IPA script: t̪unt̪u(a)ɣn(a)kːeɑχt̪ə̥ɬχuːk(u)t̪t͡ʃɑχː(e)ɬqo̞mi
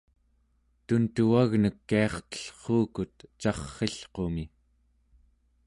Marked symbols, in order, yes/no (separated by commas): yes, no, yes, yes